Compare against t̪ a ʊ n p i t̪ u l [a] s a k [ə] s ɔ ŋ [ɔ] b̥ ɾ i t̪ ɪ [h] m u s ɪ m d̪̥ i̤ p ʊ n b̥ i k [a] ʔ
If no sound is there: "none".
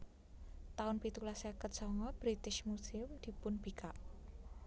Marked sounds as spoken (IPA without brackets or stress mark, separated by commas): a, ə, ɔ, ʃ, a